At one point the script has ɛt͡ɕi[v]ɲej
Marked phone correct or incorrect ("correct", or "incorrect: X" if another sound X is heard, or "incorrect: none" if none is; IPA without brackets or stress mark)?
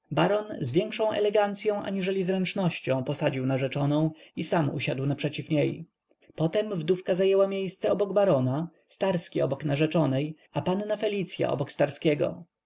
incorrect: f